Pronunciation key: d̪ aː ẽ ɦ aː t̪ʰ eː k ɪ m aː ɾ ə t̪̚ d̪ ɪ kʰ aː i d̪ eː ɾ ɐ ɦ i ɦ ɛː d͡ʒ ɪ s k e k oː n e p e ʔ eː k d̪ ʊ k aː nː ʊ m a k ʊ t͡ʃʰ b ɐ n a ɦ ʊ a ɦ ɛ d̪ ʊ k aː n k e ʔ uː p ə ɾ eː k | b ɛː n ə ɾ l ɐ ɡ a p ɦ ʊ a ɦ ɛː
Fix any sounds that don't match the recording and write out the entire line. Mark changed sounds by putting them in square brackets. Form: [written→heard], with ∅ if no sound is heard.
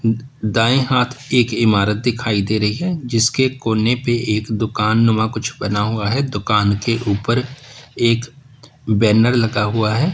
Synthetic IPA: d̪ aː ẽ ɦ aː t̪ʰ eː k ɪ m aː ɾ ə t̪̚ d̪ ɪ kʰ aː i d̪ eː ɾ ɐ ɦ i ɦ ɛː d͡ʒ ɪ s k e k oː n e p e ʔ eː k d̪ ʊ k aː nː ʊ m a k ʊ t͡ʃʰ b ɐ n a ɦ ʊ a ɦ ɛ d̪ ʊ k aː n k e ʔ uː p ə ɾ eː k | b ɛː n ə ɾ l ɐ ɡ a [p→∅] ɦ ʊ a ɦ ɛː

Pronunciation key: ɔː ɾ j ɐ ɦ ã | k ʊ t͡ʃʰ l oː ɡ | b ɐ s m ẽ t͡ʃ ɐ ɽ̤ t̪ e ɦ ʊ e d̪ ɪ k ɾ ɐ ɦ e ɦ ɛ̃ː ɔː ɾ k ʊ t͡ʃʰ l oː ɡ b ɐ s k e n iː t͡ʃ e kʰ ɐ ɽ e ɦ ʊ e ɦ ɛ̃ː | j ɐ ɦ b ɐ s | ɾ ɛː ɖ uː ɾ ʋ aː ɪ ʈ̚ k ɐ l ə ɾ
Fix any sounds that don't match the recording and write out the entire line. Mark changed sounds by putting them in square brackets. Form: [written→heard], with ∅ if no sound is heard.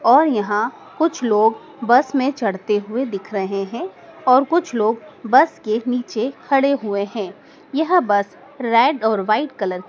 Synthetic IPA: ɔː ɾ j ɐ ɦ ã | k ʊ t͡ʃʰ l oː ɡ | b ɐ s m ẽ t͡ʃ ɐ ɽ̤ t̪ e ɦ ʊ e d̪ ɪ [k→kʰ] ɾ ɐ ɦ e ɦ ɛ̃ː ɔː ɾ k ʊ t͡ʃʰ l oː ɡ b ɐ s k e n iː t͡ʃ e kʰ ɐ ɽ e ɦ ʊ e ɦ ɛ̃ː | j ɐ ɦ b ɐ s | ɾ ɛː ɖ [uː→ɔː] ɾ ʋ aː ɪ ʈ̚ k ɐ l ə ɾ

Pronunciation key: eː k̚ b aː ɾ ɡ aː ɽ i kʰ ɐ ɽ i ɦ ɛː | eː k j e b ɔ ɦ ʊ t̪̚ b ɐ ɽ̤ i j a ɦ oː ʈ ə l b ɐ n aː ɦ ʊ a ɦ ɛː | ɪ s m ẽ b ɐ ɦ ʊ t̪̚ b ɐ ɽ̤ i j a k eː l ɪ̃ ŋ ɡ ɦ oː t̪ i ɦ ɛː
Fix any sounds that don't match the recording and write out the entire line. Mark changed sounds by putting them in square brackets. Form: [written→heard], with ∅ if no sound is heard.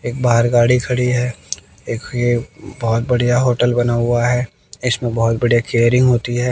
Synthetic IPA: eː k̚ b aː ɾ ɡ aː ɽ i kʰ ɐ ɽ i ɦ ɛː | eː k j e b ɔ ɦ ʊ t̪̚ b ɐ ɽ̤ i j a ɦ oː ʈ ə l b ɐ n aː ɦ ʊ a ɦ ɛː | ɪ s m ẽ b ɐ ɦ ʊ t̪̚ b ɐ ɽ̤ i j a k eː [l→ɾ] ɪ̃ ŋ ɡ ɦ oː t̪ i ɦ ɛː

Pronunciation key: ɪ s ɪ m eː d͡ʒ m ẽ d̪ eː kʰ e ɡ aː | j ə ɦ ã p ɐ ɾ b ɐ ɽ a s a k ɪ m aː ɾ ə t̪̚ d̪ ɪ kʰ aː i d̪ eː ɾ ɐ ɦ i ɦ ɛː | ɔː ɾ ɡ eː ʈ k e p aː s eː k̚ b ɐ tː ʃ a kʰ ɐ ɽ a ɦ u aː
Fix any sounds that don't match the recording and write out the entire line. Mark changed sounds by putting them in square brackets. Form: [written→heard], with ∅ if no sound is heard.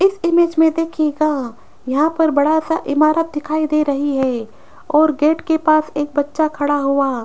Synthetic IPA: ɪ s ɪ m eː d͡ʒ m ẽ d̪ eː kʰ e ɡ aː | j [ə→ɐ] ɦ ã p ɐ ɾ b ɐ ɽ a s a [k→ʔ] ɪ m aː ɾ ə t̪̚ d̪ ɪ kʰ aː i d̪ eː ɾ ɐ ɦ i ɦ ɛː | ɔː ɾ ɡ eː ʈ k e p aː s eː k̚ b ɐ tː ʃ a kʰ ɐ ɽ a ɦ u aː

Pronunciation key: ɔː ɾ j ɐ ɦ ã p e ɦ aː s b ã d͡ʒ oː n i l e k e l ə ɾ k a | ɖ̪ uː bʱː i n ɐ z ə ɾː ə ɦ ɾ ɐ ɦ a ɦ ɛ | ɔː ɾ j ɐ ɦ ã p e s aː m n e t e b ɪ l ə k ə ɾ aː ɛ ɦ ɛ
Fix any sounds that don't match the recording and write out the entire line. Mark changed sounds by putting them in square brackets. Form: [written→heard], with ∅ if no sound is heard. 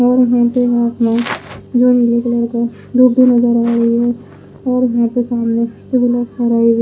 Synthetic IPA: ɔː ɾ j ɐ ɦ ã p e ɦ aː s [b→m] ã d͡ʒ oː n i l e k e l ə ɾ k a | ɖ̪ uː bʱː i n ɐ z ə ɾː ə ɦ ɾ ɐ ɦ [a→i] ɦ ɛ | ɔː ɾ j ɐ ɦ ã p e s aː m n e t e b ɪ l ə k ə ɾ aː [ɛ→i] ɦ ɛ

